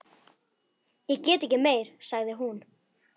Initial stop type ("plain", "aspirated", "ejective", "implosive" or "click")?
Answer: plain